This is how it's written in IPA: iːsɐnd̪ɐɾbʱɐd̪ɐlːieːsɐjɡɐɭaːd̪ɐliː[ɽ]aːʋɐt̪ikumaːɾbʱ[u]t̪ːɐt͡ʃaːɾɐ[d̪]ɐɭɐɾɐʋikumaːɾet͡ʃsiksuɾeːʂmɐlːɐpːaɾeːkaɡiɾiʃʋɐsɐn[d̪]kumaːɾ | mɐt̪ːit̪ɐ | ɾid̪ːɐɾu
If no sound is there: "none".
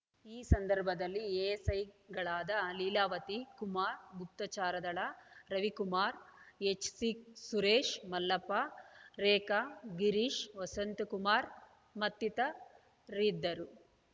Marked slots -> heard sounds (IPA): l, u, d̪, t̪

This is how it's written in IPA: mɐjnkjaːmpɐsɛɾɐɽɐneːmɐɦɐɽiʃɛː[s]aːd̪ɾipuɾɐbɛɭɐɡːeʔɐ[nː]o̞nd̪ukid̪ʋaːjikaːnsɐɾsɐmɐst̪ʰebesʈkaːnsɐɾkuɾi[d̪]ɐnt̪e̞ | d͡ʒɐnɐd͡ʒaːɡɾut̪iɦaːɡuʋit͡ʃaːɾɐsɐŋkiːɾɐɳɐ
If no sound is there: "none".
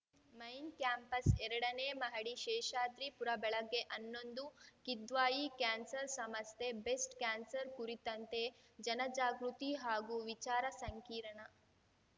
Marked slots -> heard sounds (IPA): ʃ, nː, t̪

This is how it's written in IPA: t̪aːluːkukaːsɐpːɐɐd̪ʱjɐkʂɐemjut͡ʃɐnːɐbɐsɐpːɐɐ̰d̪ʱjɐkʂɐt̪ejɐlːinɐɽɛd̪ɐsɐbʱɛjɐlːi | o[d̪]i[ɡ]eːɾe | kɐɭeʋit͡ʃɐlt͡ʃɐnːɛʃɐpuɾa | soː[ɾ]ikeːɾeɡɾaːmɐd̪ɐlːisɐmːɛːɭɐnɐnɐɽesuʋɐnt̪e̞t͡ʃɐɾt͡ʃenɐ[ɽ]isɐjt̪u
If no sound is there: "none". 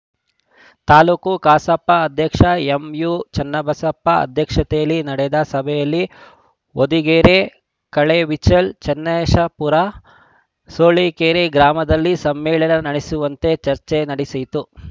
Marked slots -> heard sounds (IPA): d̪, ɡ, ɭ, ɽ

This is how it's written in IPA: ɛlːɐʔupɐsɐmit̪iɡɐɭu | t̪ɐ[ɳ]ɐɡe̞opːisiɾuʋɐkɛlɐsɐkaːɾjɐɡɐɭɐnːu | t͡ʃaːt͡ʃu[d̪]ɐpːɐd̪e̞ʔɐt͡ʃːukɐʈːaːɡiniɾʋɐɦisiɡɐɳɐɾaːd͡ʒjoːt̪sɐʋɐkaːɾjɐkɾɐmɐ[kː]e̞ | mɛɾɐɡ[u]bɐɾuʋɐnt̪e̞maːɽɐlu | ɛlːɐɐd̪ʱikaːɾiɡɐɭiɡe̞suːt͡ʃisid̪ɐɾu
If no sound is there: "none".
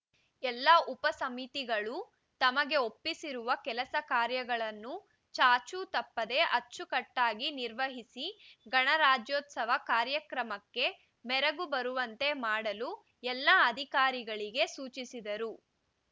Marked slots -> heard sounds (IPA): m, t̪, kː, u

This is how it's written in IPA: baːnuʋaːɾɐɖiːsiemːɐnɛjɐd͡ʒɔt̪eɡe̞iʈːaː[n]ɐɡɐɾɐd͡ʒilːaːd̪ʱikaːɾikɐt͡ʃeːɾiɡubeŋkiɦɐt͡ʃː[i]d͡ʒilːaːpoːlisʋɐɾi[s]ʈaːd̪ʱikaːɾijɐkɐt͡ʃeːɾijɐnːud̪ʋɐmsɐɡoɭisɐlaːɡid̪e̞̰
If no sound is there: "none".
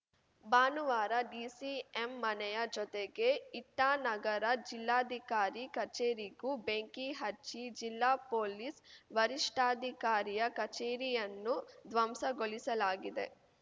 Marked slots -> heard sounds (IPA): n, i, ʂ

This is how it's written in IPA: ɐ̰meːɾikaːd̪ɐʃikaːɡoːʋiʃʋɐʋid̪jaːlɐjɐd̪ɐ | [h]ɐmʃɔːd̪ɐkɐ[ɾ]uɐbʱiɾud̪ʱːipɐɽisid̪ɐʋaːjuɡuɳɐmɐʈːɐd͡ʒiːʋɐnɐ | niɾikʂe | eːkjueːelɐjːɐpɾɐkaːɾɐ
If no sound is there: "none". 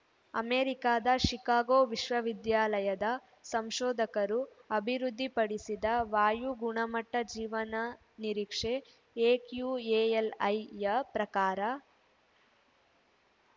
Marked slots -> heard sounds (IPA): s, ɾ

